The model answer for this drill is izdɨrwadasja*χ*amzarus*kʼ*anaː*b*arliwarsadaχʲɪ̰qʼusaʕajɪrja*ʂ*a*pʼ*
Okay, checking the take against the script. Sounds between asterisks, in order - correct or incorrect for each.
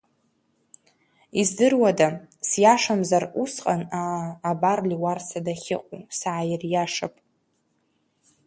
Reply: incorrect: ʂ, incorrect: qʼ, correct, correct, correct

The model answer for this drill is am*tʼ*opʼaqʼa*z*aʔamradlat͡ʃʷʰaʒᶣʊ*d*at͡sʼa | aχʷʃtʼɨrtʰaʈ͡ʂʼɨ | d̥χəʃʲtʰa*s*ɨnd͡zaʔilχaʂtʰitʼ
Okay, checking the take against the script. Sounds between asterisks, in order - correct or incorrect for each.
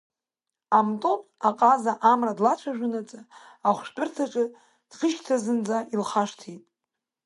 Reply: correct, correct, incorrect: n, incorrect: z

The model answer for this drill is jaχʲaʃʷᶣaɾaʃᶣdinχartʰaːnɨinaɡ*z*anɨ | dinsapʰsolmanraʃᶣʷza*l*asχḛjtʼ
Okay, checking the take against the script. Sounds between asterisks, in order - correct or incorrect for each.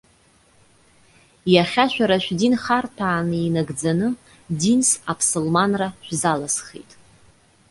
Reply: incorrect: d͡z, correct

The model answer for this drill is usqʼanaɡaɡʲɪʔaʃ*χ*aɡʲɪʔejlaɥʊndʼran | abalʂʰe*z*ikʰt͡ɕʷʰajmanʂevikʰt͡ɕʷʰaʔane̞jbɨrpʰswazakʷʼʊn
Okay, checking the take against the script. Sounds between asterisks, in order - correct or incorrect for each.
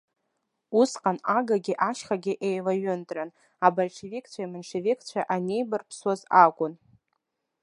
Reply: correct, incorrect: v

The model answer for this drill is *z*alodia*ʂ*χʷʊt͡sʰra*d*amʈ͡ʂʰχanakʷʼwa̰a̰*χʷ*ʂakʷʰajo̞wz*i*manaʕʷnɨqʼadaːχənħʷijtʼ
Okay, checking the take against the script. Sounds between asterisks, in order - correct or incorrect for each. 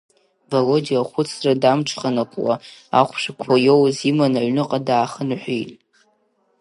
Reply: incorrect: v, incorrect: none, correct, correct, correct

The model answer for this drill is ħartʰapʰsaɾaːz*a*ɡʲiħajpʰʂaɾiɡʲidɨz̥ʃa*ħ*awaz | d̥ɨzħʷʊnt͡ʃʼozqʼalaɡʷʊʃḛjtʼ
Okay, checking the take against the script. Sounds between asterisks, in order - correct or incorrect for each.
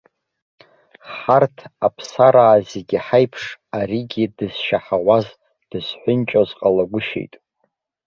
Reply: incorrect: e, correct

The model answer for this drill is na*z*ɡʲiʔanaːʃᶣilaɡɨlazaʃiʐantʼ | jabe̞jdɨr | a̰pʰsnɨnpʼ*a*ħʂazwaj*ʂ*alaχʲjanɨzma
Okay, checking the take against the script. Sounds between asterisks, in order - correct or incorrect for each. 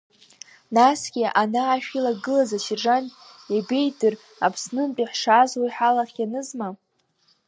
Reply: incorrect: s, incorrect: i, incorrect: ħ

